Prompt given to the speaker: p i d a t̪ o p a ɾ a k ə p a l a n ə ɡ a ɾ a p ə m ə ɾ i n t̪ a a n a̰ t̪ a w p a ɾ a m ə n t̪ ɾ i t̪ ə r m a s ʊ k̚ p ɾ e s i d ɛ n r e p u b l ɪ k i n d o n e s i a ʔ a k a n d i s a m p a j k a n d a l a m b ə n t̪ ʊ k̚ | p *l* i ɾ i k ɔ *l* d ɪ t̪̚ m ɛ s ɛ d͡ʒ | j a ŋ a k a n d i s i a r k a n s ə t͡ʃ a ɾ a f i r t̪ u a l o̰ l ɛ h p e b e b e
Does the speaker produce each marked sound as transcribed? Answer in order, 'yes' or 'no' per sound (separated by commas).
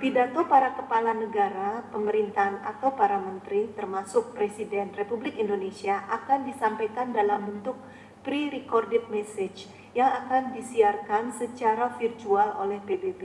no, no